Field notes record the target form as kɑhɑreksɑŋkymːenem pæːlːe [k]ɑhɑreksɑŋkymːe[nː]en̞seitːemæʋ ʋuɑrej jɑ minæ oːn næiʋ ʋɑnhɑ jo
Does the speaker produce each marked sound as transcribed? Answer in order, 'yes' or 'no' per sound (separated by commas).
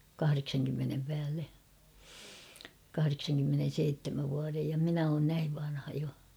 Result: yes, no